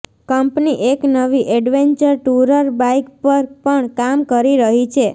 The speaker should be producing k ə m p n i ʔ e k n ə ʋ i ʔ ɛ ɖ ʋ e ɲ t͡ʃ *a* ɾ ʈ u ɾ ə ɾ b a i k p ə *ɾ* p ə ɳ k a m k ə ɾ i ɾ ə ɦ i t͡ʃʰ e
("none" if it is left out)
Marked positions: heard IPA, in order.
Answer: ə, ɾ

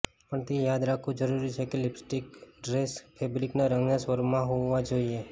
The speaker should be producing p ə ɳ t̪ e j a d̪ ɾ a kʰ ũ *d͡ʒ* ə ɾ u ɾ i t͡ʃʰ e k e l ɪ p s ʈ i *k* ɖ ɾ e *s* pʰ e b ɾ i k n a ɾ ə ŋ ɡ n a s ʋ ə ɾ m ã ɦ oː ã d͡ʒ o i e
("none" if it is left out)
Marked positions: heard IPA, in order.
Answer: d͡ʒ, k, s

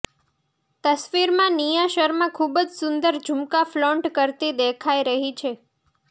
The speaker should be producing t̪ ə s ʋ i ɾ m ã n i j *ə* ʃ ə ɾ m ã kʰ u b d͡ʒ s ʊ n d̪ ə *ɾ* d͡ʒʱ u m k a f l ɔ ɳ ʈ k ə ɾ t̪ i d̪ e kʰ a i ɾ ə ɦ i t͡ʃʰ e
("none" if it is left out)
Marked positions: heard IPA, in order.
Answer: a, ɾ

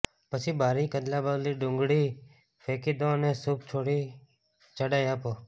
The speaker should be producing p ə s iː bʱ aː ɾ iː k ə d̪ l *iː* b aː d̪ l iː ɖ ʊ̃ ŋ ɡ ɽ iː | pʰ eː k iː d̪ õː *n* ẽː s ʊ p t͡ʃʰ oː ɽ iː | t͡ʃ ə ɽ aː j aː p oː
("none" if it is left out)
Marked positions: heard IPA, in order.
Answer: aː, n

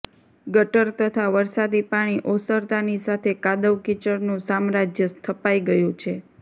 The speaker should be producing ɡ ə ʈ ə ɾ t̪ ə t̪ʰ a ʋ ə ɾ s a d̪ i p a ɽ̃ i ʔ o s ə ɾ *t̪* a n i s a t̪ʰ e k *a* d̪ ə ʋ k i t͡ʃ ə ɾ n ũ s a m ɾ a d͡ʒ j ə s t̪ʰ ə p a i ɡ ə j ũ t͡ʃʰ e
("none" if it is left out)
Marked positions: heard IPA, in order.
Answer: t̪, a

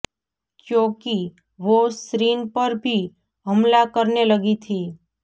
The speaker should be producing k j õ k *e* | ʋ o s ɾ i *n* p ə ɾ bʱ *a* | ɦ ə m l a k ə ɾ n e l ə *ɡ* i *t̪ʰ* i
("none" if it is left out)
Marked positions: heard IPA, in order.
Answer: i, n, i, ɡ, t̪ʰ

